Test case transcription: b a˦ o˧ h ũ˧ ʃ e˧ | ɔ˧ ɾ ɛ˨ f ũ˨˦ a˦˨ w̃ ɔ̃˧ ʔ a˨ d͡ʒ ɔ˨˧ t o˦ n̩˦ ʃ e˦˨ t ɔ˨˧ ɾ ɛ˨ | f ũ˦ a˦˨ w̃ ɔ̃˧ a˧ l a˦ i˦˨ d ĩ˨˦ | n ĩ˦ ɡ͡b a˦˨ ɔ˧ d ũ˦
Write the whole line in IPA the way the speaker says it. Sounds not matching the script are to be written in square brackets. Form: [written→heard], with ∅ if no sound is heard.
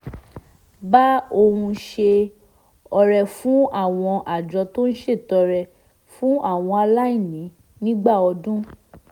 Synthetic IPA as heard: b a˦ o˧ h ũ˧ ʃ e˧ | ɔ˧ ɾ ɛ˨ f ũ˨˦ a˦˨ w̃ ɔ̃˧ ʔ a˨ d͡ʒ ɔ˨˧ t o˦ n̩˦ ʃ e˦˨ t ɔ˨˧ ɾ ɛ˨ | f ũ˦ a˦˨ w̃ ɔ̃˧ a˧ l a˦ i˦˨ [d→n] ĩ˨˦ | n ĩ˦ ɡ͡b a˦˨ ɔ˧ d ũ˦

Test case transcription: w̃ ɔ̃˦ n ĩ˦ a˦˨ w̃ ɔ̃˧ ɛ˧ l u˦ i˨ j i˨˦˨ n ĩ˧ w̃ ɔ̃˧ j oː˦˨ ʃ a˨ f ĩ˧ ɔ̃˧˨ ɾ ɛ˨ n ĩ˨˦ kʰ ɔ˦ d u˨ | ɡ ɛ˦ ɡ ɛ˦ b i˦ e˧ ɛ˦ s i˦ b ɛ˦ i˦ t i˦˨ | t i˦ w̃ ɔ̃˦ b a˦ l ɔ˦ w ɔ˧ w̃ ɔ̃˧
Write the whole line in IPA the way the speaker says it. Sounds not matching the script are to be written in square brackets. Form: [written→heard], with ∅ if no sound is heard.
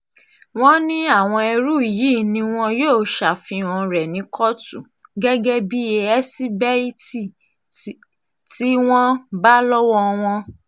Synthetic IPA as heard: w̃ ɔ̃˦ n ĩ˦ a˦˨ w̃ ɔ̃˧ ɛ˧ [l→ɾ] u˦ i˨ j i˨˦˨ n ĩ˧ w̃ ɔ̃˧ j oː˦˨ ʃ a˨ f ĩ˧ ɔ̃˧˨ ɾ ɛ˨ n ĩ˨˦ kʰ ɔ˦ [d→t] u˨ | ɡ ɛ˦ ɡ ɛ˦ b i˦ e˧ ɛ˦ s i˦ b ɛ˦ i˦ t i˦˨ | t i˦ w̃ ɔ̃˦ b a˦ l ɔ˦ w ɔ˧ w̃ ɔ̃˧

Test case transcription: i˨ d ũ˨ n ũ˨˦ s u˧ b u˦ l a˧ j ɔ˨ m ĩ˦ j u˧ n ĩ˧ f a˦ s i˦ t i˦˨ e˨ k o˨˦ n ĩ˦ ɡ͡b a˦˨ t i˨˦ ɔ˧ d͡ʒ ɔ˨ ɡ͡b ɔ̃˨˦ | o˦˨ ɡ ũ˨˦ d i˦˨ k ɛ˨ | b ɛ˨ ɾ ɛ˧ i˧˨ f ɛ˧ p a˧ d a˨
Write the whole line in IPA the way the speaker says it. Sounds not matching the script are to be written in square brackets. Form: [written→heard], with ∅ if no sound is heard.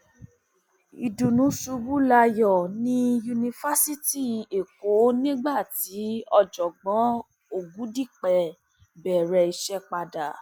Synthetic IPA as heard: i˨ d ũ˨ n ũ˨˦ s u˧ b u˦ l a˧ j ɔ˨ [m→n] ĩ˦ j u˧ n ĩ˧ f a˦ s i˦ t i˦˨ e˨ k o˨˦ n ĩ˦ ɡ͡b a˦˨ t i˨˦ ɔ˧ d͡ʒ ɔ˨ ɡ͡b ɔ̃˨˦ | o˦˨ ɡ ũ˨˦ d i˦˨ [k→k͡p] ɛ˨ | b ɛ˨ ɾ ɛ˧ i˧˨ [f→ʃ] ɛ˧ [p→k͡p] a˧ d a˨

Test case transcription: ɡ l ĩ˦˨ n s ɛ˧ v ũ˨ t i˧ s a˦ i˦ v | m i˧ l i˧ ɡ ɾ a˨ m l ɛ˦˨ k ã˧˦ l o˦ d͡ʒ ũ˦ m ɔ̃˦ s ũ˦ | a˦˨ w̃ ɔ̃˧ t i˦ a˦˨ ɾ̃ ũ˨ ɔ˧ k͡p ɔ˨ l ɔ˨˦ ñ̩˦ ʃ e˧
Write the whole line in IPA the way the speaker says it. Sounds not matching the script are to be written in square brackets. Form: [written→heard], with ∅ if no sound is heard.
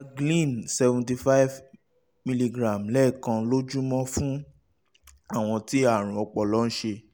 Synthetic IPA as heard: ɡ l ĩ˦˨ n s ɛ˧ v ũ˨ t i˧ [s→f] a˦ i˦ v | m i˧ l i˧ ɡ ɾ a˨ m l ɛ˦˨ k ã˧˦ l o˦ d͡ʒ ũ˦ m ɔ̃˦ [s→f] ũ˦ | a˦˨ w̃ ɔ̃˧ t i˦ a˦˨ ɾ̃ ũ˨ ɔ˧ k͡p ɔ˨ l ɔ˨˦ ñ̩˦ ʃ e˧

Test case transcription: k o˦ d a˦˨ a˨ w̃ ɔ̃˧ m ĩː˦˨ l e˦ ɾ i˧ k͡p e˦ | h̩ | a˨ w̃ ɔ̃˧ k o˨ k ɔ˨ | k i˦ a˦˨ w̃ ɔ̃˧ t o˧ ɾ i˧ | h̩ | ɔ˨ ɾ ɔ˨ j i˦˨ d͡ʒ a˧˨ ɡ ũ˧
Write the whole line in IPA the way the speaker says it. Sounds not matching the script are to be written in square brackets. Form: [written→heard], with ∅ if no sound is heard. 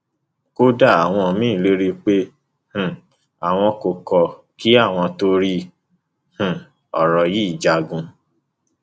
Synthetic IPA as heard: k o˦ d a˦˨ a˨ w̃ ɔ̃˧ m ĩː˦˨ l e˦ ɾ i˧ k͡p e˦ | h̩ | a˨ w̃ ɔ̃˧ k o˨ k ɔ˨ | k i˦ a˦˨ w̃ ɔ̃˧ t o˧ ɾ i˧ | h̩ | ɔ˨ ɾ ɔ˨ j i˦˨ d͡ʒ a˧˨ ɡ ũ˧

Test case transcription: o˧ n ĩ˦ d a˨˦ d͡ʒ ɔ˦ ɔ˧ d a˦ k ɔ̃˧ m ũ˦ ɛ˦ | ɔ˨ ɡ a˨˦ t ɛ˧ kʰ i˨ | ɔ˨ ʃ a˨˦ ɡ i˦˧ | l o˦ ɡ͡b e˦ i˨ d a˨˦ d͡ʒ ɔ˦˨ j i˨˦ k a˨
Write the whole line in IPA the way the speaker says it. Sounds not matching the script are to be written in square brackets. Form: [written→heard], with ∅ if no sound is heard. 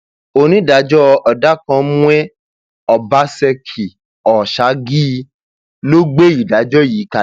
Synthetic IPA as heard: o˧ n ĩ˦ d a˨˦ d͡ʒ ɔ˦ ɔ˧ d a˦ k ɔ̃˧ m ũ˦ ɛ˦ | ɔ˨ [ɡ→b] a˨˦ [t→s] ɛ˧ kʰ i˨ | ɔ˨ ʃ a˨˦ ɡ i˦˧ | l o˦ ɡ͡b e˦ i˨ d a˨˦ d͡ʒ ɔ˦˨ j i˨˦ k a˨

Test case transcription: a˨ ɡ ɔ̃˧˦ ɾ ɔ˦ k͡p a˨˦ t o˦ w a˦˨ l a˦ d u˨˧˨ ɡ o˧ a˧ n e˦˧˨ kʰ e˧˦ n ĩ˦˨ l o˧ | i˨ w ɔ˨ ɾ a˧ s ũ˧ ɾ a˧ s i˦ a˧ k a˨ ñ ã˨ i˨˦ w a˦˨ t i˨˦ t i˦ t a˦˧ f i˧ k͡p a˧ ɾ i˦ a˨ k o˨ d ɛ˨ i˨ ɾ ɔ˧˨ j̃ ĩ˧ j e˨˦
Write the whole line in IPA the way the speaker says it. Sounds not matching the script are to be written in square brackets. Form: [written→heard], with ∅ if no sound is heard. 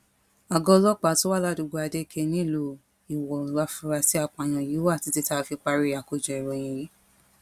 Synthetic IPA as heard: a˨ ɡ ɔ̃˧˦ [ɾ→l] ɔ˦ k͡p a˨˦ t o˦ w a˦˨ l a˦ d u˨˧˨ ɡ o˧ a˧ [n→d] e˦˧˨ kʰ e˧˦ n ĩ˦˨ l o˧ | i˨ w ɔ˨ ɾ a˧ [s→f] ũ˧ ɾ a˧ s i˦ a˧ [k→k͡p] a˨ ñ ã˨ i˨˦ w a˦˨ t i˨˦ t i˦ t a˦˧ f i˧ k͡p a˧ ɾ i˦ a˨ k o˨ [d→d͡ʒ] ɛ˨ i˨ ɾ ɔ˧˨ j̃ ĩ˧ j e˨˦

